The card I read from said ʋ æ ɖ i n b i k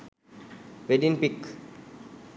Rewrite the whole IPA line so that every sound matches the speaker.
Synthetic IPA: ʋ e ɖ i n p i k